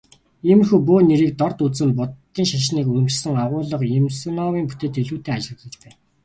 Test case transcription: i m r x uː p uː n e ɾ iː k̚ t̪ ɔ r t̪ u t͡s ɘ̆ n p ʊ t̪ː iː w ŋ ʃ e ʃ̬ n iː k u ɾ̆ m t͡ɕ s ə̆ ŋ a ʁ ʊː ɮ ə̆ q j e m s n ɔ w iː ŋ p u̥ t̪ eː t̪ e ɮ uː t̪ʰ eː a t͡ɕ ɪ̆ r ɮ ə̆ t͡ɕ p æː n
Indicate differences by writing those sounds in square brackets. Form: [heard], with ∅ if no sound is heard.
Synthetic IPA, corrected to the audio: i m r x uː p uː n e ɾ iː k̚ t̪ ɔ r t̪ u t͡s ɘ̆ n p ʊ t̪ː iː [∅] ŋ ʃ [a] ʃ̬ n iː k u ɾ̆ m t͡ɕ s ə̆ ŋ a ʁ ʊː ɮ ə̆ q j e m s n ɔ w iː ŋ p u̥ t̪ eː t̪ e ɮ uː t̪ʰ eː a t͡ɕ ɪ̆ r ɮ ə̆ t͡ɕ p æː n